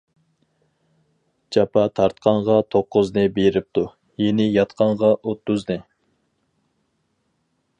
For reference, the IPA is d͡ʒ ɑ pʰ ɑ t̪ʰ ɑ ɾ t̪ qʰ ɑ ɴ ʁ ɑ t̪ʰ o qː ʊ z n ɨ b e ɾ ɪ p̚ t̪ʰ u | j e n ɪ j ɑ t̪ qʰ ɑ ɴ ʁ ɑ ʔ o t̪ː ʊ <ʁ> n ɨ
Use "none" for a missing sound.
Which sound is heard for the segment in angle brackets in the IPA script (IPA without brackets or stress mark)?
z